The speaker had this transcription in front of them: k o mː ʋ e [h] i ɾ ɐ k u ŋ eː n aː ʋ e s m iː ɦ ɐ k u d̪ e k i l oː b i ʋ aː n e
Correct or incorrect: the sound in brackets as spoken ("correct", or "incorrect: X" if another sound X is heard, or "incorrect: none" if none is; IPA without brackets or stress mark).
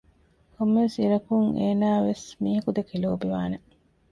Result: incorrect: s